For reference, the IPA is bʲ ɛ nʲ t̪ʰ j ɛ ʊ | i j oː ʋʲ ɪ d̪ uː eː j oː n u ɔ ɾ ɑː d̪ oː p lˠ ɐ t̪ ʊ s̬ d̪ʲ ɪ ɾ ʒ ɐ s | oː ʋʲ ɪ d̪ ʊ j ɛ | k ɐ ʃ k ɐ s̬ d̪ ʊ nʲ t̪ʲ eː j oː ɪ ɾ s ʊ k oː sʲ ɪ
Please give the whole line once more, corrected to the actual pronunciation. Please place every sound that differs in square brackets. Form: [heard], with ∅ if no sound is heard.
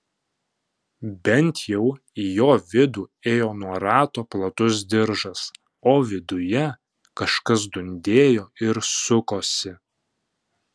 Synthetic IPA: bʲ ɛ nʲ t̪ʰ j ɛ ʊ | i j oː ʋʲ ɪ d̪ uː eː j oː n u ɔ ɾ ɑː [t̪] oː p lˠ ɐ t̪ ʊ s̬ d̪ʲ ɪ ɾ ʒ ɐ s | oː ʋʲ ɪ d̪ ʊ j ɛ | k ɐ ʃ k ɐ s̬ d̪ ʊ nʲ [d̪ʲ] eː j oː ɪ ɾ s ʊ k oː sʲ ɪ